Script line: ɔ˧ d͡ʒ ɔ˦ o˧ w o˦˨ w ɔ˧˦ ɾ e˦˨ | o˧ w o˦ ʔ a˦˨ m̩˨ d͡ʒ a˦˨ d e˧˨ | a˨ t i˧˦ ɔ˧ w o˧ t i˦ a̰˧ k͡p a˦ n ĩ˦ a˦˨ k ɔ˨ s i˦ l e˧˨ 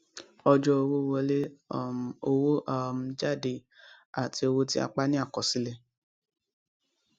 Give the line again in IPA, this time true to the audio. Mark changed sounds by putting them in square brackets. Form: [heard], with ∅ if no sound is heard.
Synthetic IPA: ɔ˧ d͡ʒ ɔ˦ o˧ w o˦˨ w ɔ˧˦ [l] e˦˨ | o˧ w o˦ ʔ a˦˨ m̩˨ d͡ʒ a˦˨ d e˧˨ | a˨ t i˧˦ [o˧] w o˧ t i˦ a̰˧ k͡p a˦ n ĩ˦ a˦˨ k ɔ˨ s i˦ l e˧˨